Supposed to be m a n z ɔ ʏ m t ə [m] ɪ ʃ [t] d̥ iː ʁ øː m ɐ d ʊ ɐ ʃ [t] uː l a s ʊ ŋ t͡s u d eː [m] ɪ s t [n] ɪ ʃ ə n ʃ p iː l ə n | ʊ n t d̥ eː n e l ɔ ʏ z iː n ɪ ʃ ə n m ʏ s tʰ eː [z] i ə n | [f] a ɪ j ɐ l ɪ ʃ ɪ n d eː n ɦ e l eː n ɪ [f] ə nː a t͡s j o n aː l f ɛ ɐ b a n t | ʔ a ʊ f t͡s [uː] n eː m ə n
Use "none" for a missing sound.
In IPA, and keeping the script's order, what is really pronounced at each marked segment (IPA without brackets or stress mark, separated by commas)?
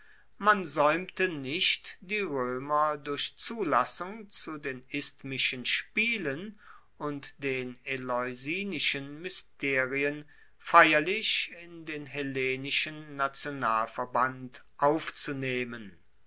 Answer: n, t, t͡s, n, m, ʁ, f, ʃ, u